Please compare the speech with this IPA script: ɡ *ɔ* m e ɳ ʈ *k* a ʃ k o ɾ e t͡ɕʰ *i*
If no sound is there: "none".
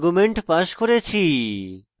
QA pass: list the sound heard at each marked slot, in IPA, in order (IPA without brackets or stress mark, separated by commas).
u, p, i